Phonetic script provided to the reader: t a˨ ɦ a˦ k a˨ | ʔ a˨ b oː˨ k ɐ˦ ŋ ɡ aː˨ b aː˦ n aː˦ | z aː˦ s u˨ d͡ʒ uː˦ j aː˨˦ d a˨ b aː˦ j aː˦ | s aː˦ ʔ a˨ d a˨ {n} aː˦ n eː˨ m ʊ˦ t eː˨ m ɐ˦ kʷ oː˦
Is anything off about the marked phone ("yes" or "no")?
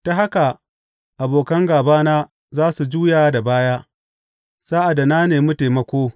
no